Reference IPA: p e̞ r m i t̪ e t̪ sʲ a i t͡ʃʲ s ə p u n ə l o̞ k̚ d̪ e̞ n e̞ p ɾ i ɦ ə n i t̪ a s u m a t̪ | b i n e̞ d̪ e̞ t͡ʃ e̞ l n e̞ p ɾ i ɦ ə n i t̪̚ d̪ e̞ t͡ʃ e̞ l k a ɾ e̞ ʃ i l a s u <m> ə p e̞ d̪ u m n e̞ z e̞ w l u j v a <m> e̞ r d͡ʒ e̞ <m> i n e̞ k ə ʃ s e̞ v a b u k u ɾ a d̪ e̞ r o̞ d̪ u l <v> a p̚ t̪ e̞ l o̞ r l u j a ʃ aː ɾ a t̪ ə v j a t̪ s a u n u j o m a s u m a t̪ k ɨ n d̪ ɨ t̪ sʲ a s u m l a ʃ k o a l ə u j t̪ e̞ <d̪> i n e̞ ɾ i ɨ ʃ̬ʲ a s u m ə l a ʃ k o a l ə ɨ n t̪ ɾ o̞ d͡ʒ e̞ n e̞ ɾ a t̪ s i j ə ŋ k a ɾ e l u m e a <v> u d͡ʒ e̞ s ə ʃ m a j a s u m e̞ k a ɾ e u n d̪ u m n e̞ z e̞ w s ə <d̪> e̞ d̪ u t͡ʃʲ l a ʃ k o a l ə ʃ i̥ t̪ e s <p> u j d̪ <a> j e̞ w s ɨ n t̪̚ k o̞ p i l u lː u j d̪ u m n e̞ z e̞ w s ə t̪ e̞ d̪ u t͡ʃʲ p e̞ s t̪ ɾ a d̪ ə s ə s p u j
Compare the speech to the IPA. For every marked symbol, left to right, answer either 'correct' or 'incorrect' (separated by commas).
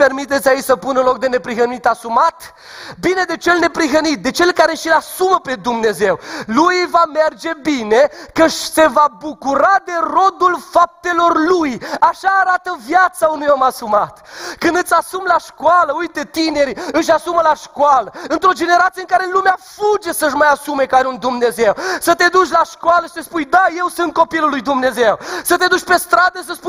correct, correct, incorrect, incorrect, incorrect, incorrect, incorrect, correct, correct